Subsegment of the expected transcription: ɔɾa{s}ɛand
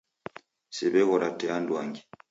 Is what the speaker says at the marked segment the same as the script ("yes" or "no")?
no